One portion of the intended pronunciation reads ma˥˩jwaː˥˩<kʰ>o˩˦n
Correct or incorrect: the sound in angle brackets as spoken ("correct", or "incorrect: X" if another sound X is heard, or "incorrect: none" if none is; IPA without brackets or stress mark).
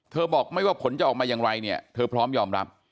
incorrect: pʰ